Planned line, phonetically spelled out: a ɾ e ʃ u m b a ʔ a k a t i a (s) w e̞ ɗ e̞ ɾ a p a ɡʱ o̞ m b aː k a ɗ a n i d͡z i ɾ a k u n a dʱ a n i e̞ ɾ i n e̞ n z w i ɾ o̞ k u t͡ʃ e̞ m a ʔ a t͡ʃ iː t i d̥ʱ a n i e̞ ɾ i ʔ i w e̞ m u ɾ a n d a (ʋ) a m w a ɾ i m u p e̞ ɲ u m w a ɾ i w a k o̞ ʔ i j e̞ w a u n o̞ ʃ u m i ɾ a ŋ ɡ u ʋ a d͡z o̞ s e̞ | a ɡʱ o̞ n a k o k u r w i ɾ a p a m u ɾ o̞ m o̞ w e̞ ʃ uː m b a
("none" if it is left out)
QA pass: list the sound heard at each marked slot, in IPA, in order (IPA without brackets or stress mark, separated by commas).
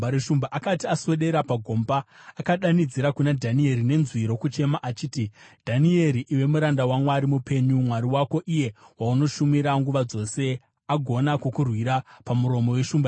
s, w